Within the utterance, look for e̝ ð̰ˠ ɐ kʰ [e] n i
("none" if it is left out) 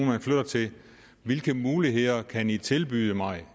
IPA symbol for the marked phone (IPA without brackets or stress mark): æ